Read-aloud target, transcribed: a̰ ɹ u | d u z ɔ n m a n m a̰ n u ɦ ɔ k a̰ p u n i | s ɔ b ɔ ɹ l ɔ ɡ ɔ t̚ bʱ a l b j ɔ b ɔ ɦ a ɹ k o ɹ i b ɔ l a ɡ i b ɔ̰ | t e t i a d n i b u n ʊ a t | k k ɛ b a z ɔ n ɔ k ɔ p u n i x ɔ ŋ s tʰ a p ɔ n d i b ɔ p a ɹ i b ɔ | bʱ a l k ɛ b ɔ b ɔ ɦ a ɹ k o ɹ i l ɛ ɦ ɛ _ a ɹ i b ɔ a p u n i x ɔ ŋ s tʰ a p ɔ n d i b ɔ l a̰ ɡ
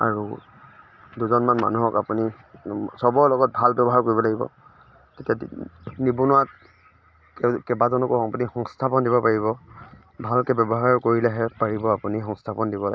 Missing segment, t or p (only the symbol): p